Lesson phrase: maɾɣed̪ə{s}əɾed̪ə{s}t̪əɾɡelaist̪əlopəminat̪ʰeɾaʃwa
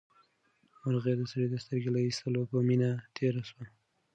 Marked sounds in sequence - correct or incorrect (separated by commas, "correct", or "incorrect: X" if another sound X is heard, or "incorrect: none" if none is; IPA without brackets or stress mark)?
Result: correct, correct